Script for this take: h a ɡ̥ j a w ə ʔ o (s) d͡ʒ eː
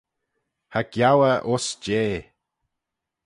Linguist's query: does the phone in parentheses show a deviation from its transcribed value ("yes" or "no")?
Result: no